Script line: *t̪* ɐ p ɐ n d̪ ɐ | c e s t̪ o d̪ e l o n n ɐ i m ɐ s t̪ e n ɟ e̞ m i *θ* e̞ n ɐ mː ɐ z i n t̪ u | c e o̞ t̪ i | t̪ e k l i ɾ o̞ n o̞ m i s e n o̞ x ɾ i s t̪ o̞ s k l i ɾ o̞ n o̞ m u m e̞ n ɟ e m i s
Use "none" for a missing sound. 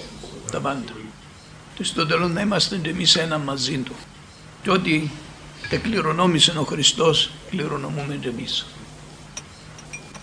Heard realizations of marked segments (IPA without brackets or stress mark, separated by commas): t̪, s